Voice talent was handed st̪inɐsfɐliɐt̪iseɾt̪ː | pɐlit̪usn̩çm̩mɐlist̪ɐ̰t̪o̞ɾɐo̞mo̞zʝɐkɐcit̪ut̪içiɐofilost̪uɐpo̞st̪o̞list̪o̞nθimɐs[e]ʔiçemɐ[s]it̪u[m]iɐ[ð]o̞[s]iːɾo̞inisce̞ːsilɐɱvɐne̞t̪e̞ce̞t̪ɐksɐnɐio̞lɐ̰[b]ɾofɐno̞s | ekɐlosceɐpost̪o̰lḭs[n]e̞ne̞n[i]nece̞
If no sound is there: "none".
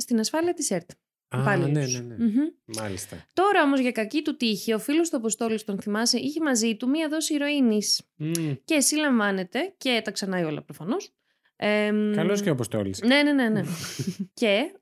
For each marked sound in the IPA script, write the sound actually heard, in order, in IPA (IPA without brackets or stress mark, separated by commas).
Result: e, z, m, ð, s, p, n, e